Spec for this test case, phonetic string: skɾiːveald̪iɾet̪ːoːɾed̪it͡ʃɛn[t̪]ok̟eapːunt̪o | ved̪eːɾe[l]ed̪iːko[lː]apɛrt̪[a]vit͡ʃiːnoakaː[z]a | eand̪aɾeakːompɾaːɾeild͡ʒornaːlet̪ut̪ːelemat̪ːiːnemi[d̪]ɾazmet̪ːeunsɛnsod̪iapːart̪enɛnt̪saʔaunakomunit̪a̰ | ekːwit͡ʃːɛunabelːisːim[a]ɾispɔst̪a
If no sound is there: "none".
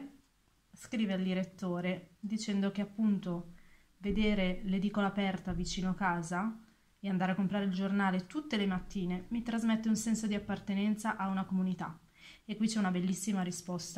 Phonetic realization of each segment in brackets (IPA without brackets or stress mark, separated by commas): d̪, l, l, a, z, t̪, a